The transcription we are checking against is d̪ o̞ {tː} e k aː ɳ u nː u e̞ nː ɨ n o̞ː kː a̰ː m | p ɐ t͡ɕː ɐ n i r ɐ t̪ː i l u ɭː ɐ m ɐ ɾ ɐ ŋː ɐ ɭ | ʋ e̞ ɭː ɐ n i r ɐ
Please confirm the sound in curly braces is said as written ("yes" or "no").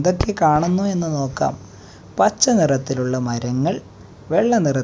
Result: no